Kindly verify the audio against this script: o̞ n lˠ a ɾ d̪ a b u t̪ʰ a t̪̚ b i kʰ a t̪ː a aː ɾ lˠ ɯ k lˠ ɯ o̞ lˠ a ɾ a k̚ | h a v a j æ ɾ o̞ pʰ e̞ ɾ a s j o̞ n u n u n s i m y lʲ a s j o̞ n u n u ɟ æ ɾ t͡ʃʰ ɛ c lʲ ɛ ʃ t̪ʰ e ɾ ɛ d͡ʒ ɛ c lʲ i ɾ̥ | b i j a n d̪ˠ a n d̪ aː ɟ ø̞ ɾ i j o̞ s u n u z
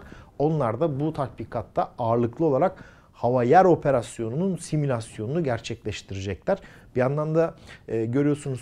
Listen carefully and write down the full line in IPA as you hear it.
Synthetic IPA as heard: o̞ n lˠ a ɾ d̪ a b u t̪ʰ a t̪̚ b i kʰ a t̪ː a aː ɾ lˠ ɯ k lˠ ɯ o̞ lˠ a ɾ a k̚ | h a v a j æ ɾ o̞ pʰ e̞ ɾ a s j o̞ n u n u n s i m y lʲ a s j o̞ n u n u ɟ æ ɾ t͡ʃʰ ɛ c lʲ ɛ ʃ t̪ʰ i ɾ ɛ d͡ʒ ɛ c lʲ æ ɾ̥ | b i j a n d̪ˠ a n d̪ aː ɟ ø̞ ɾ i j o̞ s u n u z